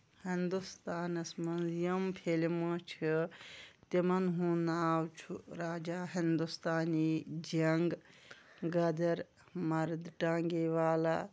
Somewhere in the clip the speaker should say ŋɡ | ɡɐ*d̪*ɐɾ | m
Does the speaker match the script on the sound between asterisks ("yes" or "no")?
yes